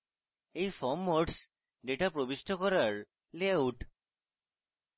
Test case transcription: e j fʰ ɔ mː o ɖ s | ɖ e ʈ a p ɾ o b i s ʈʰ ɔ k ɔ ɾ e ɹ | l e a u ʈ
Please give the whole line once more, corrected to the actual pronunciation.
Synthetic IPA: e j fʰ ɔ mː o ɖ s | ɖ e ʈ a p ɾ o b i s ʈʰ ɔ k ɔ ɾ a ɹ | l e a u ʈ